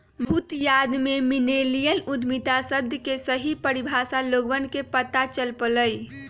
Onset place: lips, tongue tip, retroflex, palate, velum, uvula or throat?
lips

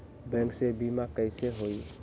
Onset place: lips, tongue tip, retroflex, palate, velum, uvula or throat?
lips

